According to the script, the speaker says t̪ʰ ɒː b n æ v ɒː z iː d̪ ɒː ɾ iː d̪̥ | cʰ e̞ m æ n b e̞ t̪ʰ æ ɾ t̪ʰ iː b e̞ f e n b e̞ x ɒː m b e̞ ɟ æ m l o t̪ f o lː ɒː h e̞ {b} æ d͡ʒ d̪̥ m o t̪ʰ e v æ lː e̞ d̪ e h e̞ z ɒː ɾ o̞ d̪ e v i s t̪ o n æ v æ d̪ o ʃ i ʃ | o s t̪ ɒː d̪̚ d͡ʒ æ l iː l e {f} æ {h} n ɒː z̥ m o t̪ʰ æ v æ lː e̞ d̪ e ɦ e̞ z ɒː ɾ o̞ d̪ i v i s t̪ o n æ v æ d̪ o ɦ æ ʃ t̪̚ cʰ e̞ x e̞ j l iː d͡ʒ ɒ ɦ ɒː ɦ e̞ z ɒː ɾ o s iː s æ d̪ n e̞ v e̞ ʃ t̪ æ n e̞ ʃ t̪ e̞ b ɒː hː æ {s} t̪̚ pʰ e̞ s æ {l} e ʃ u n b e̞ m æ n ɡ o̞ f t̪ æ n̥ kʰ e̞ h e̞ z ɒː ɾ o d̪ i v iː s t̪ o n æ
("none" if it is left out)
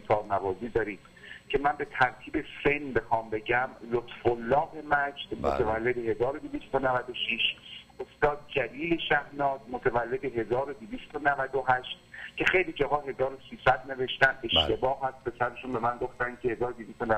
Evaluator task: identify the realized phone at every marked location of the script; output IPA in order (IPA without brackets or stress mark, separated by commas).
m, ʃ, h, s, ɾ